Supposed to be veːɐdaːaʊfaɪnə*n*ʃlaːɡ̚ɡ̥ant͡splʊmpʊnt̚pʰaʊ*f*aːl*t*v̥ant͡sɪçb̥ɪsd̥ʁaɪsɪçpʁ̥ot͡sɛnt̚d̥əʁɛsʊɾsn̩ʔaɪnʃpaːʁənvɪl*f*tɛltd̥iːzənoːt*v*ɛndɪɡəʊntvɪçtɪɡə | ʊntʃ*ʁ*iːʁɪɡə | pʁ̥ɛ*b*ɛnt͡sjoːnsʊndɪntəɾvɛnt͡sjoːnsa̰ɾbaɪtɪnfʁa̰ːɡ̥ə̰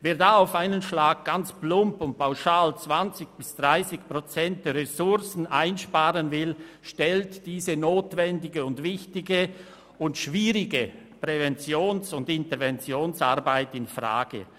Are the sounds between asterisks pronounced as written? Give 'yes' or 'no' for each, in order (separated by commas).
yes, no, no, no, yes, no, no